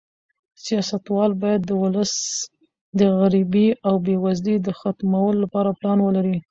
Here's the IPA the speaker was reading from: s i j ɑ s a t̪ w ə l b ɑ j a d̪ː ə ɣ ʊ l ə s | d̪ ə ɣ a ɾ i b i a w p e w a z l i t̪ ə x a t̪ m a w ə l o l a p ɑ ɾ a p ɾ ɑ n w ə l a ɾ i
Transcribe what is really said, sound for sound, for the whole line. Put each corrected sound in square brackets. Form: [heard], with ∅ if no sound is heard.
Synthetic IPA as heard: s i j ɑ s a t̪ w [ɑ] l b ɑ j a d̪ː ə [w] ʊ l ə s | d̪ ə ɣ a ɾ i b i a w [b] e w a z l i [d̪] ə x a t̪ m a w ə l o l a p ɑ ɾ a p [l] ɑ n w ə l a ɾ i